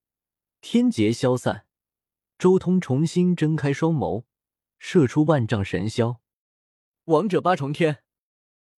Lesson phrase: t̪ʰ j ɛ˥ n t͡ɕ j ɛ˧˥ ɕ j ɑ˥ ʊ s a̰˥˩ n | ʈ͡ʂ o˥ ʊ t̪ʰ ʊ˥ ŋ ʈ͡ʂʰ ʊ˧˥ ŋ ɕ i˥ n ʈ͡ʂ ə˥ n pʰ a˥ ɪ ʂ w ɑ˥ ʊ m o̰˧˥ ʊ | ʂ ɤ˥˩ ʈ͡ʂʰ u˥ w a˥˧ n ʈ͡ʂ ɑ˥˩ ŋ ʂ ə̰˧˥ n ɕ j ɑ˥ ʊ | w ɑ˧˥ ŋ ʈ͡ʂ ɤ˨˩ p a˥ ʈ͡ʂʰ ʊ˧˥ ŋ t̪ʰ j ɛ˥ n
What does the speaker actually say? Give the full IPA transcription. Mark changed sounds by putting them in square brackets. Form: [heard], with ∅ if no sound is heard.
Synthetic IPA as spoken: t̪ʰ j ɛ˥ n t͡ɕ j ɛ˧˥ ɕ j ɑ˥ ʊ s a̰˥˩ n | ʈ͡ʂ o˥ ʊ t̪ʰ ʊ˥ ŋ ʈ͡ʂʰ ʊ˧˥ ŋ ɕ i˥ n ʈ͡ʂ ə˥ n [kʰ] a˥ ɪ ʂ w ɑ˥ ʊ m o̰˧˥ ʊ | ʂ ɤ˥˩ ʈ͡ʂʰ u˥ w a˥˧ n ʈ͡ʂ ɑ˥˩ ŋ ʂ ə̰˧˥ n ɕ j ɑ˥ ʊ | w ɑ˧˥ ŋ ʈ͡ʂ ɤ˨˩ p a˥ ʈ͡ʂʰ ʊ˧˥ ŋ t̪ʰ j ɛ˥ n